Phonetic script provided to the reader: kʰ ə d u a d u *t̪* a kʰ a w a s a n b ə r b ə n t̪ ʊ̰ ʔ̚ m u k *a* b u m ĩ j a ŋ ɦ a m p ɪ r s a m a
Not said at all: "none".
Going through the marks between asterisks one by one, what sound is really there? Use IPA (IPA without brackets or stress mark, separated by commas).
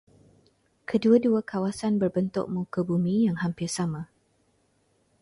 none, ə